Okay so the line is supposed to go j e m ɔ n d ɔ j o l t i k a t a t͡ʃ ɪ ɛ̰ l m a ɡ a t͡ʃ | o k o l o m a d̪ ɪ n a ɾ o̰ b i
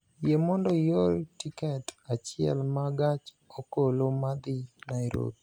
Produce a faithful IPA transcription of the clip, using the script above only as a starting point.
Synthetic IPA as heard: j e m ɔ n d ɔ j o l t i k ɛ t a t͡ʃ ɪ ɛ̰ l m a ɡ a t͡ʃ | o k o l o m a d̪ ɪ n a ɾ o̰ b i